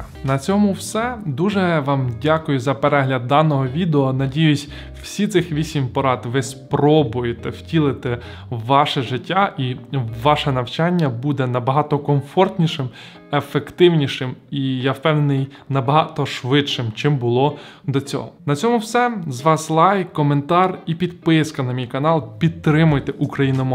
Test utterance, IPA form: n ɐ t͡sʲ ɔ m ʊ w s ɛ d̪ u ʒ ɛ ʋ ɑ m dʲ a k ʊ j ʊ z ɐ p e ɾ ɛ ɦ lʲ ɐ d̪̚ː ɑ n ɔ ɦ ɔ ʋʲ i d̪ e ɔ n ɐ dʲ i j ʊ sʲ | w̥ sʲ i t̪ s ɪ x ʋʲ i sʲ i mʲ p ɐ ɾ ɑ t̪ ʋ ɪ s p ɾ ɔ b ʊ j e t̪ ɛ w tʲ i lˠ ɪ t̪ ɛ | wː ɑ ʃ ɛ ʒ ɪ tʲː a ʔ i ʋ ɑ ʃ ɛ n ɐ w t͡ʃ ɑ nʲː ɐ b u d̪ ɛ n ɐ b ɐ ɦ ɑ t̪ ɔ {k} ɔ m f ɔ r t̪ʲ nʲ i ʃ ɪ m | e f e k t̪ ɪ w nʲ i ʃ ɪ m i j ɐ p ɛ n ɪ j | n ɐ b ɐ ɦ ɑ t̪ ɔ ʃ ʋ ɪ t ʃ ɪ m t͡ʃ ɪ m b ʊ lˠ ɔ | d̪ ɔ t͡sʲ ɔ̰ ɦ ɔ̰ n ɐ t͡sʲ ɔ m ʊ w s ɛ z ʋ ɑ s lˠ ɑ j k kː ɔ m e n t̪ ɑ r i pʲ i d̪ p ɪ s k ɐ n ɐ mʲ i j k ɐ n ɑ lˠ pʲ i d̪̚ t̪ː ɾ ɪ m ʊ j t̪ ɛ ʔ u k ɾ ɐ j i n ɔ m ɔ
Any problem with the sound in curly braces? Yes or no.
no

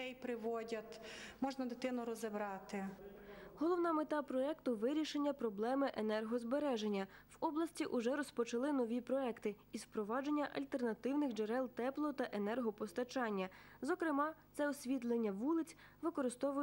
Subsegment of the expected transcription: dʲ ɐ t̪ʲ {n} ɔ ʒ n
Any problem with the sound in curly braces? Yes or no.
yes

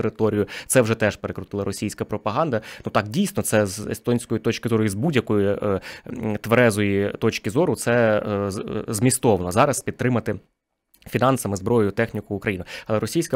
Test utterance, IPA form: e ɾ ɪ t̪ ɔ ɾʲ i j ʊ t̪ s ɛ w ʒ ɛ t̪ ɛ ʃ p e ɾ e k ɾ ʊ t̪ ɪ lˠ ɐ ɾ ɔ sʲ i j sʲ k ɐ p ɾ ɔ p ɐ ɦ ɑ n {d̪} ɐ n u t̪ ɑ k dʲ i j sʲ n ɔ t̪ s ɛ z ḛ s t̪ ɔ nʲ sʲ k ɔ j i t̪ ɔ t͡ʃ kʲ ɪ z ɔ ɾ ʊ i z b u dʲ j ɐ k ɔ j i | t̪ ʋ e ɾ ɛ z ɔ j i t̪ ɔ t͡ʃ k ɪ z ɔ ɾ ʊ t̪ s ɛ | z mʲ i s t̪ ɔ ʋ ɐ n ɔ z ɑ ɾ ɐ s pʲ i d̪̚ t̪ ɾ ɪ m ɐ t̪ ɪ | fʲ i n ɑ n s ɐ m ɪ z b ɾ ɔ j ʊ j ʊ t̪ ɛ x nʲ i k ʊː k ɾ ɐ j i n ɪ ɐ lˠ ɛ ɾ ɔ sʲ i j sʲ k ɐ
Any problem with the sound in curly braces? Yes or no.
no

